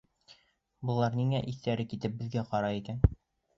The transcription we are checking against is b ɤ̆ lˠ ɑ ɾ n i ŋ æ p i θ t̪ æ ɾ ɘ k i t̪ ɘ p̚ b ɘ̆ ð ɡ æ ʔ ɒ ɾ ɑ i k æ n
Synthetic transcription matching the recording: b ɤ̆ lˠ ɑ ɾ n i ŋ æ ʔ i θ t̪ æ ɾ ɘ k i t̪ ɘ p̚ b ɘ̆ ð ɡ æ q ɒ ɾ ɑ i k æ n